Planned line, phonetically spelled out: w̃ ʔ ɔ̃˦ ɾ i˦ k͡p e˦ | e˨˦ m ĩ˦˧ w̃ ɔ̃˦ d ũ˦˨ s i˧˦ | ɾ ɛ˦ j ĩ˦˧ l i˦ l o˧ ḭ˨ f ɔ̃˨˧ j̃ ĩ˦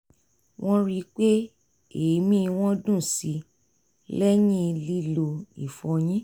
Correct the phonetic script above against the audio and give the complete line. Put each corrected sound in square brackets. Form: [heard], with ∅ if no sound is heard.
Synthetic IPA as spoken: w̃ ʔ ɔ̃˦ ɾ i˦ k͡p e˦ | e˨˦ m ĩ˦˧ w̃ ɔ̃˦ d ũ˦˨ s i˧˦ | [l] ɛ˦ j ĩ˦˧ l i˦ l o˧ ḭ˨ f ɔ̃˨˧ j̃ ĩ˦